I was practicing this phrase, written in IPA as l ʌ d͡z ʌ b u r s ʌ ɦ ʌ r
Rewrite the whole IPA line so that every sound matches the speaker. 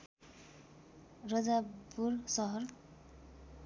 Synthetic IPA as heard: r ʌ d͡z a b u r s ʌ ɦ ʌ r